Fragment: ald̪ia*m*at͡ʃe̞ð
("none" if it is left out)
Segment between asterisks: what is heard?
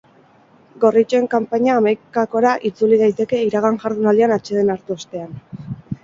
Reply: n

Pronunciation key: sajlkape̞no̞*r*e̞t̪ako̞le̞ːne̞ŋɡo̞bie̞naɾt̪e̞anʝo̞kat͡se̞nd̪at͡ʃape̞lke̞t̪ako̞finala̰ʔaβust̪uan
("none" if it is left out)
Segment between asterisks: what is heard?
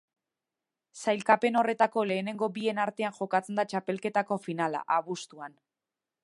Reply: r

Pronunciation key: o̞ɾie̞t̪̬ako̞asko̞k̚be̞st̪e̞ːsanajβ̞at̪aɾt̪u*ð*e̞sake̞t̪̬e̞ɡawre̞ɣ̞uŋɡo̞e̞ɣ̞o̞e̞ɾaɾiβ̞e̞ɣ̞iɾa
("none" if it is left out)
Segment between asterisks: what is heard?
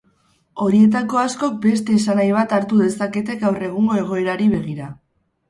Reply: ð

